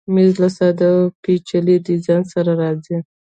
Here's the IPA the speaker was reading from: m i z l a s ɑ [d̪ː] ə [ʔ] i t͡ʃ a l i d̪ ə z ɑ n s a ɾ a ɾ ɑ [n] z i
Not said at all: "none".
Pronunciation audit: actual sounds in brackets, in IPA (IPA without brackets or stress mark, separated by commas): d̪, p, none